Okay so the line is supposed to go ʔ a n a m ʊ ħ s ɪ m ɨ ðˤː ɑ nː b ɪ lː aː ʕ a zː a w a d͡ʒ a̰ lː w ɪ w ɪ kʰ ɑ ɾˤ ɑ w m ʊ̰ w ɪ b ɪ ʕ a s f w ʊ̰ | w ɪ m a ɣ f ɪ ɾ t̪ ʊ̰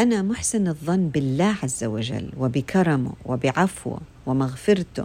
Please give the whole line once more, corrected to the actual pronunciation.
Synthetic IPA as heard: ʔ a n a m ʊ ħ s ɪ n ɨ ðˤː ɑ nː b ɪ lː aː ʕ a zː a w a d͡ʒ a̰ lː w ɪ b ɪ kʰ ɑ ɾˤ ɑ m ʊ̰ w ɪ b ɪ ʕ a f w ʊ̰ | w ɪ m a ɣ f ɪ ɾ t̪ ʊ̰